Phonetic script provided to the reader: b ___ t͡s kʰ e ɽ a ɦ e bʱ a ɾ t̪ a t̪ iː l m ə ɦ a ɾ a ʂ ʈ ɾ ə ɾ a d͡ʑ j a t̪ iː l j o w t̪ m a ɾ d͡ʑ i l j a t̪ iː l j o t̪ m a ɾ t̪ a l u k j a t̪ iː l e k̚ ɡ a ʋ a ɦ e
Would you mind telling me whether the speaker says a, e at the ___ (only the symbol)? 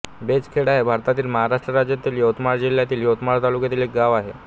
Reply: e